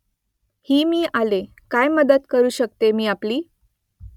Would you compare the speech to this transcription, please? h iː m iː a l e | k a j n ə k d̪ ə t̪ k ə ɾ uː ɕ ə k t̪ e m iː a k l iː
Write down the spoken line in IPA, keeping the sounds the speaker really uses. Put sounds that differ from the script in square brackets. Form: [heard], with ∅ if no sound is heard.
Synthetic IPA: h iː m iː a l e | k a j [m] ə [∅] d̪ ə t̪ k ə ɾ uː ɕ ə k t̪ e m iː a [p] l iː